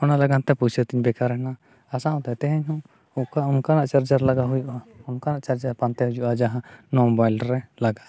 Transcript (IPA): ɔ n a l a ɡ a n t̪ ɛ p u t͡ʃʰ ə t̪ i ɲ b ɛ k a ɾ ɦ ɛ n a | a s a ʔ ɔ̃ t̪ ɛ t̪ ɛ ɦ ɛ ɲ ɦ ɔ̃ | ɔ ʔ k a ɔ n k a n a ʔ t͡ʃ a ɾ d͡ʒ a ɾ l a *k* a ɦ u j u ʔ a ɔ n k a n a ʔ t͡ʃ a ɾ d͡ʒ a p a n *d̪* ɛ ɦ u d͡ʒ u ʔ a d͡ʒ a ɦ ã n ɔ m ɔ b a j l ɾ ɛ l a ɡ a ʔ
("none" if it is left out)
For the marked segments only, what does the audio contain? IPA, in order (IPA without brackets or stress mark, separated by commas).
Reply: ɡ, t̪